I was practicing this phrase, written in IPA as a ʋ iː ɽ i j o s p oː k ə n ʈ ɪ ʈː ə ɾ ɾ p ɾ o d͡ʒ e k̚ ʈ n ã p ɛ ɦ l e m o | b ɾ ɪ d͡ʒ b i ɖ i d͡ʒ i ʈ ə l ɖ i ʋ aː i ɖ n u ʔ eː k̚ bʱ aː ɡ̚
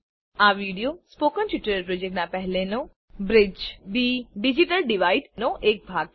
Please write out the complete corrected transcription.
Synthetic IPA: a ʋ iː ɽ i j o s p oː k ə n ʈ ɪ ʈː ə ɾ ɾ p ɾ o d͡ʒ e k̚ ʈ n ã p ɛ ɦ l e n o | b ɾ ɪ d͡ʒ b i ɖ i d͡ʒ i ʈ ə l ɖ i ʋ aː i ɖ n o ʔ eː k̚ bʱ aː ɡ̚

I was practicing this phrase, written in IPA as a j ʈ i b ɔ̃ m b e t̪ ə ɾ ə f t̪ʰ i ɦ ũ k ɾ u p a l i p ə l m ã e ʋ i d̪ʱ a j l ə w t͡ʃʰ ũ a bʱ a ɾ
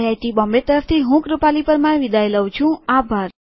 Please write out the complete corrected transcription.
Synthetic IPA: a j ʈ i b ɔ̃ m b e t̪ ə ɾ ə f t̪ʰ i ɦ ũ k ɾ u p a l i p ə ɾ m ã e ʋ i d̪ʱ a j l ə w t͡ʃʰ ũ a bʱ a ɾ

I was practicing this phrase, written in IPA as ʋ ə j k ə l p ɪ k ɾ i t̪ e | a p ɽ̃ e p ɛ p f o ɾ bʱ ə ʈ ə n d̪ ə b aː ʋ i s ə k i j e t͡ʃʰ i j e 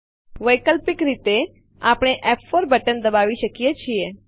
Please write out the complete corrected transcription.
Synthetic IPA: ʋ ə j k ə l p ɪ k ɾ i t̪ e | a p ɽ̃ e ʔ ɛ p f o ɾ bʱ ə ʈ ə n d̪ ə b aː ʋ i ʃ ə k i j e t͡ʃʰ i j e

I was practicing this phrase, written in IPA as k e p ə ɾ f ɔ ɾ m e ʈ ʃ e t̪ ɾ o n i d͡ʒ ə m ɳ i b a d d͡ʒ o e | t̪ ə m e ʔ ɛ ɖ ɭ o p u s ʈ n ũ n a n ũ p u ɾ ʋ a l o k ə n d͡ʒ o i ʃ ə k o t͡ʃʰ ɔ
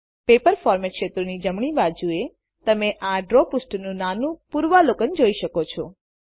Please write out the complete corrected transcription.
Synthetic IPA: p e p ə ɾ f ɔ ɾ m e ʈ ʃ e t̪ ɾ o n i d͡ʒ ə m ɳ i b a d d͡ʒ u e | t̪ ə m e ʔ a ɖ ɾ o p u s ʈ n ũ n a n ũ p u ɾ ʋ a l o k ə n d͡ʒ o i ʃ ə k o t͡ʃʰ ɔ

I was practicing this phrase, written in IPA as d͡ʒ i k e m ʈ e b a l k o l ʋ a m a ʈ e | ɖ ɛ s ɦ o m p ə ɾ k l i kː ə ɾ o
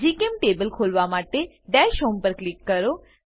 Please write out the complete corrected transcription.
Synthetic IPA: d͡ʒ i k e m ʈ e b ə l kʰ o l ʋ a m a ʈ e | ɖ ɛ ʃ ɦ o m p ə ɾ k l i kː ə ɾ o

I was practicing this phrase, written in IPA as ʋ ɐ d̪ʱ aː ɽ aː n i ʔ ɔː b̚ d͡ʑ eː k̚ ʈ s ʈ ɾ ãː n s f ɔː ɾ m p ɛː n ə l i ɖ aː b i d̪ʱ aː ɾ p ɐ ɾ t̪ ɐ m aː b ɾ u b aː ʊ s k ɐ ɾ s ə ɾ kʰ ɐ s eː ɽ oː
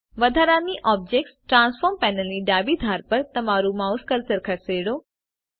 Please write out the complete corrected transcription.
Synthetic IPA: ʋ ɐ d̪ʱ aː ɾ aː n i ʔ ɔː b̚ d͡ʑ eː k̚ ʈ s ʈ ɾ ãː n s f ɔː ɾ m p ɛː n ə l i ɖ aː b i d̪ʱ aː ɾ p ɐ ɾ t̪ ɐ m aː ɾ u m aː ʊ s k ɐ ɾ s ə ɾ kʰ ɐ s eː ɽ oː

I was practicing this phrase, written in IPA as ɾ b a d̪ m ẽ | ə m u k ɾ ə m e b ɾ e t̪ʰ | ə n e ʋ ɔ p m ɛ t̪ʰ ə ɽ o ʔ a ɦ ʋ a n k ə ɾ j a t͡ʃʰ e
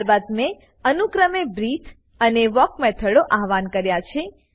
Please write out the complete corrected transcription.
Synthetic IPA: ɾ b a d̪ m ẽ | ə n u k ɾ ə m e b ɾ i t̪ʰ | ə n e ʋ ɔ k m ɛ t̪ʰ ə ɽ o ʔ a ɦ ʋ a n k ə ɾ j a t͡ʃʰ e

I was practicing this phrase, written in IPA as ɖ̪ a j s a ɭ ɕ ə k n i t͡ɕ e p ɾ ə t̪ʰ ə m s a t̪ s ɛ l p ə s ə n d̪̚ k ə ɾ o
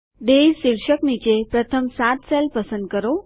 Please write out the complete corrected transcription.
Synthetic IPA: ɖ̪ e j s i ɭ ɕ ə k n i t͡ɕ e p ɾ ə t̪ʰ ə m s a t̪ s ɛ l p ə s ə n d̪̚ k ə ɾ o

